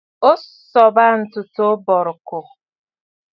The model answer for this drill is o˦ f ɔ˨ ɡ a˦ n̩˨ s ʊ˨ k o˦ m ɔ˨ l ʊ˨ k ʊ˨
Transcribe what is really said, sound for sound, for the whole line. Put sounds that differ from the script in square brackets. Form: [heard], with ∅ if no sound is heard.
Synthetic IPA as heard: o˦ [s] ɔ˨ [b] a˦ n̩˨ [t] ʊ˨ [t] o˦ [b] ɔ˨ [ɾ] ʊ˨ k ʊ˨